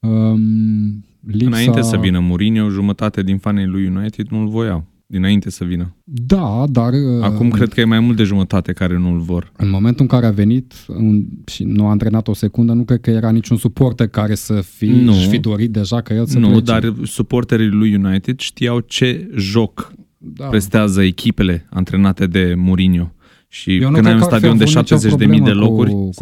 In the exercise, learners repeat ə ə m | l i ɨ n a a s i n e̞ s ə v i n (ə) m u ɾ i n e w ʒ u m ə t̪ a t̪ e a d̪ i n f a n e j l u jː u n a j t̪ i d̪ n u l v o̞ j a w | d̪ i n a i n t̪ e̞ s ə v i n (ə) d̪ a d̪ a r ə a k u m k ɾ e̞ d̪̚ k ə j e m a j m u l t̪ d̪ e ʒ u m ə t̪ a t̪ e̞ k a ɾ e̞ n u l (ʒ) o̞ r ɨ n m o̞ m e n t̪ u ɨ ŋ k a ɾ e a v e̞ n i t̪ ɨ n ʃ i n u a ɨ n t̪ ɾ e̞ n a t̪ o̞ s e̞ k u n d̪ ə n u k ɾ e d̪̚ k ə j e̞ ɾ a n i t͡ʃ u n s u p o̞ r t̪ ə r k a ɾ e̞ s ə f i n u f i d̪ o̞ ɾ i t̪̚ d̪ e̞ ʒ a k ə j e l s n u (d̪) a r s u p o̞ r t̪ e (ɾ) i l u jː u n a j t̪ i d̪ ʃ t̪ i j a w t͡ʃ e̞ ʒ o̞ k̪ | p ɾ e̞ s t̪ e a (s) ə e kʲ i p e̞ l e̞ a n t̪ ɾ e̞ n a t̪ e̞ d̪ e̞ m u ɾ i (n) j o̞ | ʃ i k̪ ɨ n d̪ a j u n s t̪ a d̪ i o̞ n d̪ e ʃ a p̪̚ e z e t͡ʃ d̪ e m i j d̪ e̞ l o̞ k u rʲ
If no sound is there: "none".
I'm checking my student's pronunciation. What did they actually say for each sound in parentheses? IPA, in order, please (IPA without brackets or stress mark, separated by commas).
ə, ə, v, d̪, ɾ, z, n